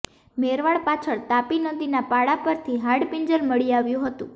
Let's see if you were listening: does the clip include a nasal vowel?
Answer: yes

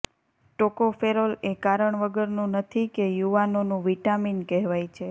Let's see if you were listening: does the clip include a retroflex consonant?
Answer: yes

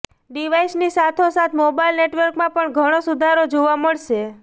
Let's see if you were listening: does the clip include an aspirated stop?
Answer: yes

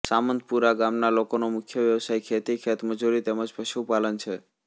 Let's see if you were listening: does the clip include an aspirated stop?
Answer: yes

